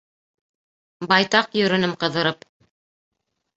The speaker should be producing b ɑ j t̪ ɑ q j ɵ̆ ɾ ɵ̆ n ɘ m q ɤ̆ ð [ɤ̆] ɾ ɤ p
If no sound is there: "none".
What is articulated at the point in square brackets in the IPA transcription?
ɤ̆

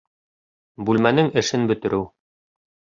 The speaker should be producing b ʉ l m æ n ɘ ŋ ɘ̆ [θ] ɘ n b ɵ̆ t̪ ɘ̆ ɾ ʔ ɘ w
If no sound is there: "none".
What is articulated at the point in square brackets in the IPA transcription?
ʃ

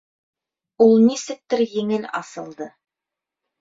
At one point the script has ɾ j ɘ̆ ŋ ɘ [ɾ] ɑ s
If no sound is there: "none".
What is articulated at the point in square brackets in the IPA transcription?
l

